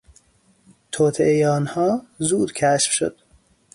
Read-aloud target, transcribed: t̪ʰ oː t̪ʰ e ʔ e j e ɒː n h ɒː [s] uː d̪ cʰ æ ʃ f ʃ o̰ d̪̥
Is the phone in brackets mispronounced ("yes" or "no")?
yes